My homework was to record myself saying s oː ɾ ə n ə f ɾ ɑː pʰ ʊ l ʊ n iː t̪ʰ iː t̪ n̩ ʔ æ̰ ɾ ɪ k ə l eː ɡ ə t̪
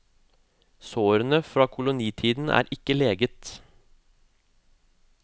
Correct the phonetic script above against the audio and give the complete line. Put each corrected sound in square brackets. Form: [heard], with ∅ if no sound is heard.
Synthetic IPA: s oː ɾ ə n ə f ɾ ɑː [kʰ] ʊ l ʊ n iː t̪ʰ iː [d̪] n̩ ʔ [æ̰ː] ɾ ɪ k ə l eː ɡ ə t̪